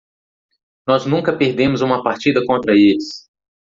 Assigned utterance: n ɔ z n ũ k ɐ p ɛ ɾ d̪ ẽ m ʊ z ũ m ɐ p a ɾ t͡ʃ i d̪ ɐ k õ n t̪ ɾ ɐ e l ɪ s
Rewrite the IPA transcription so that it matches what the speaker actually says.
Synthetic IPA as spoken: n ɔ z n ũ k ɐ p e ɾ d̪ ẽ m ʊ z ũ m ɐ p a ɾ t͡ʃ i d̪ ɐ k õ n t̪ ɾ ɐ e l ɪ s